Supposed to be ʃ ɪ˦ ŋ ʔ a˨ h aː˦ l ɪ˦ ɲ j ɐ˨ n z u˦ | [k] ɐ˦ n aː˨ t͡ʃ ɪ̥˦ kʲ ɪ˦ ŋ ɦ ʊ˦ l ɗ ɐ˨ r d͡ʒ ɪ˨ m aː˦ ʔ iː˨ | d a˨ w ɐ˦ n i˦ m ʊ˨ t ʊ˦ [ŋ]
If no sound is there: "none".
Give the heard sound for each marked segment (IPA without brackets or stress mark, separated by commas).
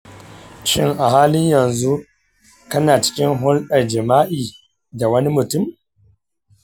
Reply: k, m